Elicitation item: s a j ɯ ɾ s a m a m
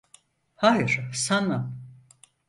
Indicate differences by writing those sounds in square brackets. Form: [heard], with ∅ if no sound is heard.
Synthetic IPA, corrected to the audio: [h] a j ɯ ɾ s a [n] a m